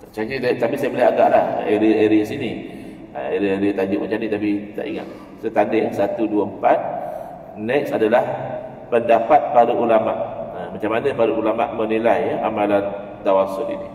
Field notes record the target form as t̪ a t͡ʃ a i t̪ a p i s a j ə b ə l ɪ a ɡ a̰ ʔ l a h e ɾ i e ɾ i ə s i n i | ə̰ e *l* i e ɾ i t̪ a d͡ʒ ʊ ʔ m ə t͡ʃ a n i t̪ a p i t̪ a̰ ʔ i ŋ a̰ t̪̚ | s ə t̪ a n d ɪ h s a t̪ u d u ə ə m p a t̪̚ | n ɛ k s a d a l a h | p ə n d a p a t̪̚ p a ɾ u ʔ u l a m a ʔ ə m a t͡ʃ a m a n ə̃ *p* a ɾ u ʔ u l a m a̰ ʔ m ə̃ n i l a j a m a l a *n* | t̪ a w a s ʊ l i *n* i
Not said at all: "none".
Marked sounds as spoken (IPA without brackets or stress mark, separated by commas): ɾ, p, n, n